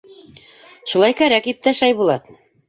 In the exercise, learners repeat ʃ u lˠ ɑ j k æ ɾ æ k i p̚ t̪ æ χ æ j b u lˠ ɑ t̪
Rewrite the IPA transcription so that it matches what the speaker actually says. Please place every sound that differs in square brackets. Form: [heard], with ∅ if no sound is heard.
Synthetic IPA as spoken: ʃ u lˠ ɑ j k æ ɾ æ k i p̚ t̪ æ [ʃ] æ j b u lˠ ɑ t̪

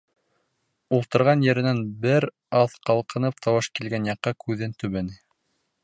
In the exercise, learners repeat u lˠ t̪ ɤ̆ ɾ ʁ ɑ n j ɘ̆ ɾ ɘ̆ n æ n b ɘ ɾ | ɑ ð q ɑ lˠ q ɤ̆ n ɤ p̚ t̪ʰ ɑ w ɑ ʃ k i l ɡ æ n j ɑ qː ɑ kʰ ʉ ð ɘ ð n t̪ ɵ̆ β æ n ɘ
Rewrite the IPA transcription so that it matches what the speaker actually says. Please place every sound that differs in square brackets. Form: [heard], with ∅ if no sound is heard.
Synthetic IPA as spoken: u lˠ t̪ ɤ̆ ɾ ʁ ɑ n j ɘ̆ ɾ ɘ̆ n æ n b ɘ ɾ | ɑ ð q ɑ lˠ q ɤ̆ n ɤ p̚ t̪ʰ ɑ w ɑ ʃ k i l ɡ æ n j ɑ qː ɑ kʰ ʉ ð ɘ [∅] n t̪ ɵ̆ β æ n ɘ

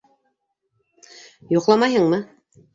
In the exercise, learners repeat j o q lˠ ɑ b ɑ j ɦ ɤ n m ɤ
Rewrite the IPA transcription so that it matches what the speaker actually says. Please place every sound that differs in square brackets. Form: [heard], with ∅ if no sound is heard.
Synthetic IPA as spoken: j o q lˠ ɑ [m] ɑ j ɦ ɤ [ɴ] m ɤ

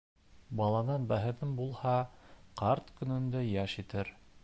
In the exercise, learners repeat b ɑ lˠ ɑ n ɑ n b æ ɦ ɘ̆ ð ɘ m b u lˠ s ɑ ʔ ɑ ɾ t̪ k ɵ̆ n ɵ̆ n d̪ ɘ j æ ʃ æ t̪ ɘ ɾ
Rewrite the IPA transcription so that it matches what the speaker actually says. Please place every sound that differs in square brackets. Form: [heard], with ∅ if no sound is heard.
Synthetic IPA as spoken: b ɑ lˠ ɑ n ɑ n b æ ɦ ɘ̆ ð ɘ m b u lˠ [h] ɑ [q] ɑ ɾ t̪ k ɵ̆ n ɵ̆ n d̪ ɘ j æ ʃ [i] t̪ ɘ ɾ

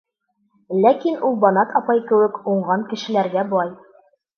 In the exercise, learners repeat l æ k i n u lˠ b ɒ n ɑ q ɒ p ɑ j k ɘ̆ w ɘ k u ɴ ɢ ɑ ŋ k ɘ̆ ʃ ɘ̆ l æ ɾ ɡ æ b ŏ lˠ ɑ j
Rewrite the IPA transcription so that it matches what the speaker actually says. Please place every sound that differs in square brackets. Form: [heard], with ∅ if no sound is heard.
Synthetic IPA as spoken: l æ k i n u lˠ b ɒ n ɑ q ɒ p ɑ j k ɘ̆ w ɘ k u ɴ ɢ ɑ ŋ k ɘ̆ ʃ ɘ̆ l æ ɾ ɡ æ b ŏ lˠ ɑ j

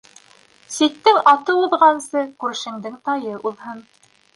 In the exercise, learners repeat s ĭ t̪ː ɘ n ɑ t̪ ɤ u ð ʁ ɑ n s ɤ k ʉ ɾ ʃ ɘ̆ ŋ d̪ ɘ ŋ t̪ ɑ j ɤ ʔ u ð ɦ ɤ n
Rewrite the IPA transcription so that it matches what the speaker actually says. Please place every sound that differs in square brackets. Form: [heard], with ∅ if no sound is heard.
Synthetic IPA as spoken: s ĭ t̪ː ɘ [ŋ] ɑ t̪ ɤ u ð ʁ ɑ n s ɤ k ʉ ɾ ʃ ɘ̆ ŋ d̪ ɘ ŋ t̪ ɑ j ɤ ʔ u ð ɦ ɤ n

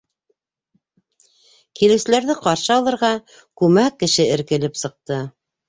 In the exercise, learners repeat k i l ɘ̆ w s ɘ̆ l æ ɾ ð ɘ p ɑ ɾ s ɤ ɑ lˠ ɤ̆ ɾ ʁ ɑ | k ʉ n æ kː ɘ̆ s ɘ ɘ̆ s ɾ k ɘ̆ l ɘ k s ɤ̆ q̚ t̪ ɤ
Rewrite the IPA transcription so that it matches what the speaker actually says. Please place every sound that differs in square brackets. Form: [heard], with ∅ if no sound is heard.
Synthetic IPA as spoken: k i l ɘ̆ w s ɘ̆ l æ ɾ ð ɘ [q] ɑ ɾ [ʃ] ɤ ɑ lˠ ɤ̆ ɾ ʁ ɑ | k ʉ [m] æ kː ɘ̆ [ʃ] ɘ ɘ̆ [∅] ɾ k ɘ̆ l ɘ [p] s ɤ̆ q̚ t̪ ɤ

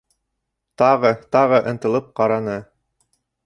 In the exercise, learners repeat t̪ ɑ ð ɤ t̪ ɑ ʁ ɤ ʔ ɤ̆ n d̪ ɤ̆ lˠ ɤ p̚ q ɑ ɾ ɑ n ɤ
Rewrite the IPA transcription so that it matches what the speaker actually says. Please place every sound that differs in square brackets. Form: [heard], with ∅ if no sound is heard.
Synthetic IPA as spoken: t̪ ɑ [ʁ] ɤ t̪ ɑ ʁ ɤ ʔ ɤ̆ n [t̪] ɤ̆ lˠ ɤ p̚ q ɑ ɾ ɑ n ɤ

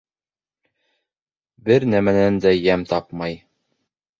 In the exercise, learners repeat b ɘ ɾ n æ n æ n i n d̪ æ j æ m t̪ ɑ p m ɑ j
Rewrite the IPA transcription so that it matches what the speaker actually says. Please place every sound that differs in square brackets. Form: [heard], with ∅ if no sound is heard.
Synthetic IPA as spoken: b ɘ ɾ n æ [m] æ n [æ] n d̪ æ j æ m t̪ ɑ p m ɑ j

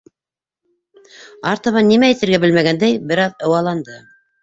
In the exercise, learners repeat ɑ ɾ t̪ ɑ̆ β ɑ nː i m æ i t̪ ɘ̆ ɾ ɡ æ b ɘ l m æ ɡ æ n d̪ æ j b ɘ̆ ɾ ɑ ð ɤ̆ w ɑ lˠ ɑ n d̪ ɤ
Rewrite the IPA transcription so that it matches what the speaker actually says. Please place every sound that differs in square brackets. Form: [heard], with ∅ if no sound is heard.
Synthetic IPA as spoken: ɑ ɾ t̪ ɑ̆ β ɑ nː i m æ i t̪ ɘ̆ ɾ ɡ æ b ɘ l m æ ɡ æ n d̪ æ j b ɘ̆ ɾ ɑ ð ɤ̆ w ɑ lˠ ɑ n d̪ ɤ

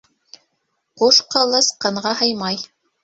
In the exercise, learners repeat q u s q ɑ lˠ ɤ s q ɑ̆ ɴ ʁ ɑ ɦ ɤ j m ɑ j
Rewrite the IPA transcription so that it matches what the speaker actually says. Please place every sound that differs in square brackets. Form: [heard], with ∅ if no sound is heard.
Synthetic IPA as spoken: q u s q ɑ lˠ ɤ s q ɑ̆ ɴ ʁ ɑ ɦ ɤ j m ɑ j

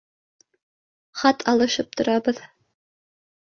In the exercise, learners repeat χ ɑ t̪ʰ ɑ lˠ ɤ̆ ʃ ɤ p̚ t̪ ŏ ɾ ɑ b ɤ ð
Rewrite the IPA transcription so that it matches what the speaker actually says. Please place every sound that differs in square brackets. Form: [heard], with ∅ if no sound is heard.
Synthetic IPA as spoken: χ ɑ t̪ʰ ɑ lˠ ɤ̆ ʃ ɤ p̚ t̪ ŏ ɾ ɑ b ɤ ð

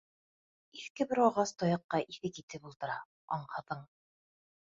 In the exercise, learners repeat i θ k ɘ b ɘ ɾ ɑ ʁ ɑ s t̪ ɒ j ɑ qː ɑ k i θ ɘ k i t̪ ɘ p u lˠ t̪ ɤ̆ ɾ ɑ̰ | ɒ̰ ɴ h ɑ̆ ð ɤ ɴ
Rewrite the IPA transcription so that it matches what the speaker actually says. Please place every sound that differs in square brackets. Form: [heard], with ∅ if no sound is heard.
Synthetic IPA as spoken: i θ k ɘ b ɘ ɾ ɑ ʁ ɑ s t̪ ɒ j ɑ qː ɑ [ʔ] i θ ɘ k i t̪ ɘ p u lˠ t̪ ɤ̆ ɾ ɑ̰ | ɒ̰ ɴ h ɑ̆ ð ɤ ɴ

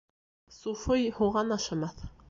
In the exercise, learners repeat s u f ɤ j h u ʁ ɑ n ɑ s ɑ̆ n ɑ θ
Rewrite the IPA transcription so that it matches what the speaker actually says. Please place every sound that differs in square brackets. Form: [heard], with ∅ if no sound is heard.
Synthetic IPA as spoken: s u f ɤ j h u ʁ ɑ n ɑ [ʃ] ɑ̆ [m] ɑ θ

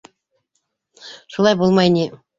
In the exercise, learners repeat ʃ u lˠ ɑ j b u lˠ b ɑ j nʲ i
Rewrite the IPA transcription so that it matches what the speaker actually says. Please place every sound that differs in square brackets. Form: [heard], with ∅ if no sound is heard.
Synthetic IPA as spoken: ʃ u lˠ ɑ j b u lˠ [m] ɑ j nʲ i

